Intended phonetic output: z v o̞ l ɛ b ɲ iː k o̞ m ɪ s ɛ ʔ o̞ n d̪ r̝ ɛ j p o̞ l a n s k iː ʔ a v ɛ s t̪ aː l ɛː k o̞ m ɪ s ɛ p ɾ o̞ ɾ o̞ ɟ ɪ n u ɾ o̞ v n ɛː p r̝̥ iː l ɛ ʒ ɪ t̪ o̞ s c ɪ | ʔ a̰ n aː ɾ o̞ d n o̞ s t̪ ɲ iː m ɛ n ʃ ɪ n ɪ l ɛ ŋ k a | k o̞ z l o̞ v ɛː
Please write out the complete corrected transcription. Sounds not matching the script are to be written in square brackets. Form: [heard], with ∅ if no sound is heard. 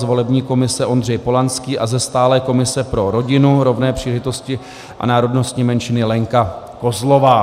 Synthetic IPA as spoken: z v o̞ l ɛ b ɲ iː k o̞ m ɪ s ɛ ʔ o̞ n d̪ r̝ ɛ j p o̞ l a n s k iː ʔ a [z] ɛ s t̪ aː l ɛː k o̞ m ɪ s ɛ p ɾ o̞ ɾ o̞ ɟ ɪ n u ɾ o̞ v n ɛː p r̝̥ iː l ɛ ʒ ɪ t̪ o̞ s c ɪ | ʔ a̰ n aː ɾ o̞ d n o̞ s t̪ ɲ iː m ɛ n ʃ ɪ n ɪ l ɛ ŋ k a | k o̞ z l o̞ v [aː]